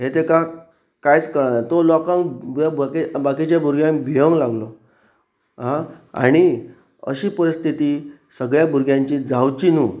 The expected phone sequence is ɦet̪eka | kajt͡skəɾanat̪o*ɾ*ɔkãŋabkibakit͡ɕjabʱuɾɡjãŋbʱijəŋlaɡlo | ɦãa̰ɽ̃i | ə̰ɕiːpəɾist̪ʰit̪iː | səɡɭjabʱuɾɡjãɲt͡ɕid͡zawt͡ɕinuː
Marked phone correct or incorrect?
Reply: incorrect